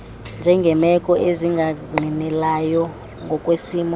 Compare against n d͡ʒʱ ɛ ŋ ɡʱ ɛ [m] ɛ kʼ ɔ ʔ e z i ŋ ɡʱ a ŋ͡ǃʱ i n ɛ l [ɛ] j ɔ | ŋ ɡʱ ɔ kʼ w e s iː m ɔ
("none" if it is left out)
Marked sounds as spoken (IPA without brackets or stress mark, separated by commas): m, a